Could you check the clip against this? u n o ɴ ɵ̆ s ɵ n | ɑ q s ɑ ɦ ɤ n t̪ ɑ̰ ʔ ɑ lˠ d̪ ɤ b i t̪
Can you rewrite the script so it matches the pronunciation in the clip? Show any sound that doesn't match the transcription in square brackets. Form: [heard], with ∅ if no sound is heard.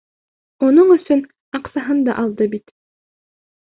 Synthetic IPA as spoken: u n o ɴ ɵ̆ s ɵ n | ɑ q s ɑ ɦ ɤ n [d̪] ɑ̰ ʔ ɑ lˠ d̪ ɤ b i t̪